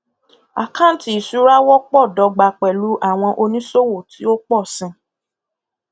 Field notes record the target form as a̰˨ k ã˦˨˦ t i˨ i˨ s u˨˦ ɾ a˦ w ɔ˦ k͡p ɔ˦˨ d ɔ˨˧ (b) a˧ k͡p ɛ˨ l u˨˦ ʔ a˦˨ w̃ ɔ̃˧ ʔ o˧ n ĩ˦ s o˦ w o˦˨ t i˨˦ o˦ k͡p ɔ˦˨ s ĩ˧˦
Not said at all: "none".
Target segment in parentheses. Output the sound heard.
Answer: ɡ͡b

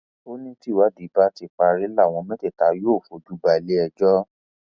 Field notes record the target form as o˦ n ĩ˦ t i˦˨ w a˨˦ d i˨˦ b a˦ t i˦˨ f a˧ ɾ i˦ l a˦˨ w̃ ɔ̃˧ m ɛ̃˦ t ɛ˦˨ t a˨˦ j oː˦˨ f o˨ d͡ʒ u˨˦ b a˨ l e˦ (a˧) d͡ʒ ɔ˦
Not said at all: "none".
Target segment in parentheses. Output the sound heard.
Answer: ɛ˧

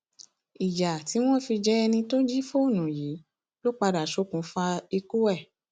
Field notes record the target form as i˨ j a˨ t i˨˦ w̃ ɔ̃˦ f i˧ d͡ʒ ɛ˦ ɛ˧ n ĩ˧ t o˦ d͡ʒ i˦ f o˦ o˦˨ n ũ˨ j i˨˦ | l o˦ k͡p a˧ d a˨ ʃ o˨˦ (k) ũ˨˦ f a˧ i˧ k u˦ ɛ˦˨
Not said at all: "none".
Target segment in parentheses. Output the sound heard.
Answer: k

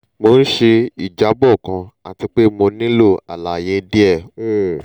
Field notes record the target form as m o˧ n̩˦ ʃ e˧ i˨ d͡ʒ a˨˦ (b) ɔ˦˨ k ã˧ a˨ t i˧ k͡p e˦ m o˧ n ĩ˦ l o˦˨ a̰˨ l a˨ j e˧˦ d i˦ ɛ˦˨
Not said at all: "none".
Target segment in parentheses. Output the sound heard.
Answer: b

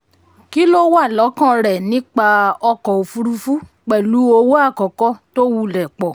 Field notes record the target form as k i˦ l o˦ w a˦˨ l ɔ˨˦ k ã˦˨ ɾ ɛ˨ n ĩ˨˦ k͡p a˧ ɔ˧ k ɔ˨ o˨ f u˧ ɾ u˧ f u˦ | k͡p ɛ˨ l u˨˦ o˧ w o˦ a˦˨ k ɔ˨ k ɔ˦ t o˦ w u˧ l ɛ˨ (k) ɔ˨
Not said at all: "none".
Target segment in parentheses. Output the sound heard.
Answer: k͡p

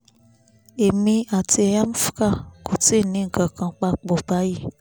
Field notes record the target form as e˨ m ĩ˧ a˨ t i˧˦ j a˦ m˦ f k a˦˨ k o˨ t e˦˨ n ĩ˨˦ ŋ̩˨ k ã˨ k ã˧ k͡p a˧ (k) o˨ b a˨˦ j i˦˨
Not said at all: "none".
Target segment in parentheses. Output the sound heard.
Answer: k͡p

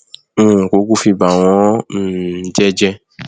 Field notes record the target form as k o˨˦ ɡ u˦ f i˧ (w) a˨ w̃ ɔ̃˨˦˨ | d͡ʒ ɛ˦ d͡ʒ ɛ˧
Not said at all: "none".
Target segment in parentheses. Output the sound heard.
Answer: b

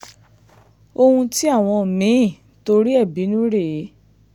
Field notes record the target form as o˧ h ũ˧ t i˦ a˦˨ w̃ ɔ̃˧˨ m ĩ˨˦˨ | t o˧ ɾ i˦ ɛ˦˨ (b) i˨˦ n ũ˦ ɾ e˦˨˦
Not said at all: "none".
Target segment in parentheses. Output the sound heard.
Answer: b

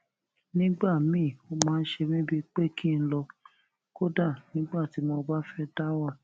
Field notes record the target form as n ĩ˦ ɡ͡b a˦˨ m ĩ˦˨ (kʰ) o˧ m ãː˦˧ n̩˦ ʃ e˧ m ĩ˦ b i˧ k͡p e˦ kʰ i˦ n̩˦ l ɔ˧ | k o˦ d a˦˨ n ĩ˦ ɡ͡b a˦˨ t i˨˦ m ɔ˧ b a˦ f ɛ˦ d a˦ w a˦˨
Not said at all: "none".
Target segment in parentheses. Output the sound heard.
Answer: none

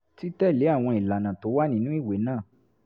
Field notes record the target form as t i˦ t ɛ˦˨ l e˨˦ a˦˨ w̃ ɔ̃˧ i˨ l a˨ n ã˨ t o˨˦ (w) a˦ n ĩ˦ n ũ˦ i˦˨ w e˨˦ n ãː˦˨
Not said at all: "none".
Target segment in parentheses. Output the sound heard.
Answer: w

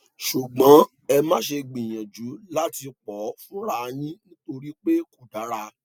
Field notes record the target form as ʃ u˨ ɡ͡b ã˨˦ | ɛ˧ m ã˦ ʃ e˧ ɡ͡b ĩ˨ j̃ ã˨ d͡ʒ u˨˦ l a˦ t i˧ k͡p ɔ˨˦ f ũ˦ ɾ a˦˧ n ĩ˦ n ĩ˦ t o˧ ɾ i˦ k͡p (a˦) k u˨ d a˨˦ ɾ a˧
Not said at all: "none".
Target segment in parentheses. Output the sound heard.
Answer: e˦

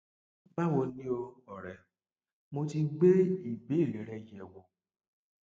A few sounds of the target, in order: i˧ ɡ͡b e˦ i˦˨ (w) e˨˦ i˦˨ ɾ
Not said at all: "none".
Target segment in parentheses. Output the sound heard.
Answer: b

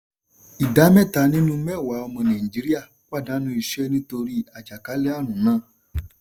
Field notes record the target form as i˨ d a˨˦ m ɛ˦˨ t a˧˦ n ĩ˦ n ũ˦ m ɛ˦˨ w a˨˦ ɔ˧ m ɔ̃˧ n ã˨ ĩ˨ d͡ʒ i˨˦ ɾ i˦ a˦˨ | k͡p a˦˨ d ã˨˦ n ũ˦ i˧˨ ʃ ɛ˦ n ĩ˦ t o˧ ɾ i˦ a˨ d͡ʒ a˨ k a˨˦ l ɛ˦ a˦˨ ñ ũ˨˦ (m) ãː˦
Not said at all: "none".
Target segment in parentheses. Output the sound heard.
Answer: n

